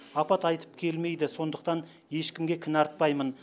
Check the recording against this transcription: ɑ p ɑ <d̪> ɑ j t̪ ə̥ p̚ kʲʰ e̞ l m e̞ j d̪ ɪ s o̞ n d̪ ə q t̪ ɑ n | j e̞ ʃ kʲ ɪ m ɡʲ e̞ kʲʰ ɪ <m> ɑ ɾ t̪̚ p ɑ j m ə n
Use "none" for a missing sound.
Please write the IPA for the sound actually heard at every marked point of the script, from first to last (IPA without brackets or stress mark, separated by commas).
t̪, n